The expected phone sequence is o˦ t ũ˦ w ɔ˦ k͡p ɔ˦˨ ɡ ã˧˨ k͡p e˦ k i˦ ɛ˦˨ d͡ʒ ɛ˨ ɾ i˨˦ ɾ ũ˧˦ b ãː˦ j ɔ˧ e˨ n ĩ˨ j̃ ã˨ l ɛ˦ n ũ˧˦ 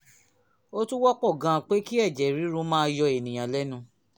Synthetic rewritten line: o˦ t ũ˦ w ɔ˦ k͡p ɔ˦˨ ɡ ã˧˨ k͡p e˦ k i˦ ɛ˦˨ d͡ʒ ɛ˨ ɾ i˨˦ ɾ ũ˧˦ m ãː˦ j ɔ˧ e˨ n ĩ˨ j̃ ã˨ l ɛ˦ n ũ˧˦